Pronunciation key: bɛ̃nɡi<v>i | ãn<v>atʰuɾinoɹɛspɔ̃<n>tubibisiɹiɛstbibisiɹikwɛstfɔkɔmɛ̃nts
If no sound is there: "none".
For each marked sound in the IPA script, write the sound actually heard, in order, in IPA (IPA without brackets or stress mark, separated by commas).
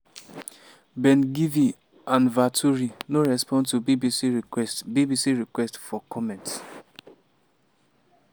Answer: v, v, n